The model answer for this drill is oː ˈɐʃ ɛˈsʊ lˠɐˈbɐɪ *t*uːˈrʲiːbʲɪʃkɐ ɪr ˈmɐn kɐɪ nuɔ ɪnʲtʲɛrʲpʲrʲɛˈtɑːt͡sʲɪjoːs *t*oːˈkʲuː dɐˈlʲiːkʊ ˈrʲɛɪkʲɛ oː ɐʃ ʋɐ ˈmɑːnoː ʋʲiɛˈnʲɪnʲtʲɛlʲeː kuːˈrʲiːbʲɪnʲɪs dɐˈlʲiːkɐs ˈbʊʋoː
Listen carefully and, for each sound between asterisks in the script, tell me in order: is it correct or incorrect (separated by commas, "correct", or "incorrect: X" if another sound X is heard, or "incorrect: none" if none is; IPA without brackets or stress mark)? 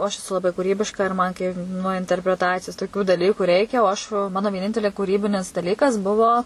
incorrect: k, correct